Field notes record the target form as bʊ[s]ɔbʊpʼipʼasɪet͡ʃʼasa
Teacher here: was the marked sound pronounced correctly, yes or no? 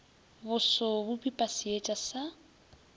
yes